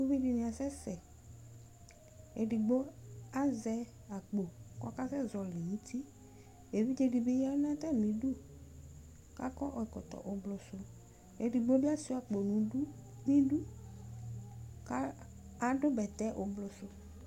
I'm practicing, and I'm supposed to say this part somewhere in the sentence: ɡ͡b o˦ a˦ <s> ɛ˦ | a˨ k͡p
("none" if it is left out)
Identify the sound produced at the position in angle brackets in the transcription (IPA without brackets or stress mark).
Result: z